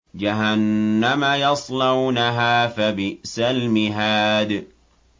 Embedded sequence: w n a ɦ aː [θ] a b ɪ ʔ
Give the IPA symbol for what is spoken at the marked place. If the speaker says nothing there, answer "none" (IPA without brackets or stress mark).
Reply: f